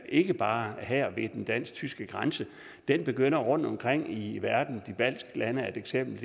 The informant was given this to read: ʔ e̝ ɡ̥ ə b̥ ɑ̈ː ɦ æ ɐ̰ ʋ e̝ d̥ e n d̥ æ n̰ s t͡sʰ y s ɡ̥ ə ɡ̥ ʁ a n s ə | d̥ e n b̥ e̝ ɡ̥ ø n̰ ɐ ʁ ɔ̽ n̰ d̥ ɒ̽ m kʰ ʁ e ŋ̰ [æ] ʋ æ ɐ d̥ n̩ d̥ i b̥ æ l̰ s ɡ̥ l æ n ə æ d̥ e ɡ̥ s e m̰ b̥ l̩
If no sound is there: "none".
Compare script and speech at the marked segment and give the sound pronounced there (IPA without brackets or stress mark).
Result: i